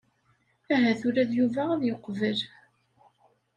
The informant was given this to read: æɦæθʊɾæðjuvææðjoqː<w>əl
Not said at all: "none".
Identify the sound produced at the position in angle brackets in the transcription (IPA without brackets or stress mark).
v